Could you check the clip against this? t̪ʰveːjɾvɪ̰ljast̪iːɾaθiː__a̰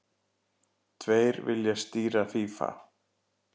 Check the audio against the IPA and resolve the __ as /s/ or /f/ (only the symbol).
f